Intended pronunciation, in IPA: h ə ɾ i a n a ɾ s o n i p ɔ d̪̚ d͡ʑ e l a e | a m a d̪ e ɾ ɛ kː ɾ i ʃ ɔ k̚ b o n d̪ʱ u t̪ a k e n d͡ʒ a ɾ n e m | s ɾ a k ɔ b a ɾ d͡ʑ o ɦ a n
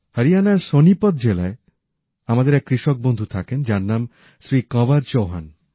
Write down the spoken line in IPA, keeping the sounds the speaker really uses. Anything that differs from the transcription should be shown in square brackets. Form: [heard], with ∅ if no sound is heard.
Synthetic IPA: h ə ɾ i a n a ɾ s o n i p ɔ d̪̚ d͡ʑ e l a e | a m a d̪ e ɾ ɛ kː ɾ i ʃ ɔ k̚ b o n d̪ʱ u [t̪ʰ] a k e n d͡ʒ a ɾ n [a] m | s ɾ [i] k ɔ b a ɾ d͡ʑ o ɦ a n